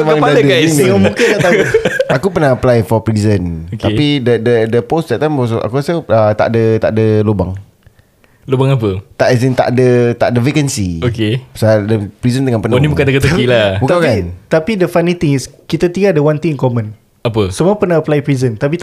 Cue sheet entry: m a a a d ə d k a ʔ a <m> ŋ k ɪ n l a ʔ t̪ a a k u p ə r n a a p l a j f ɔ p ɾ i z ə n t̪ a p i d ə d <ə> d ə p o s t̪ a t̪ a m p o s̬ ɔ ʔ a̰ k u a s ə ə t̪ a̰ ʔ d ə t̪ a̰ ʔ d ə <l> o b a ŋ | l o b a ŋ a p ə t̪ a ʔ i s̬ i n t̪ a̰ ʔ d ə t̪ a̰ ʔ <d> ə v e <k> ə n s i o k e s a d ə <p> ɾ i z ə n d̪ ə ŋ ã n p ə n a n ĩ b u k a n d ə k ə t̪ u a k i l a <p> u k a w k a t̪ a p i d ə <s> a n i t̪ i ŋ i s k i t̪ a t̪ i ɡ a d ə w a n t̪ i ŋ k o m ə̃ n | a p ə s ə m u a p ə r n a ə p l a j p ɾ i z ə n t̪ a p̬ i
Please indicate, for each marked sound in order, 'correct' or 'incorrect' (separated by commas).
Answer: correct, correct, correct, correct, correct, correct, incorrect, incorrect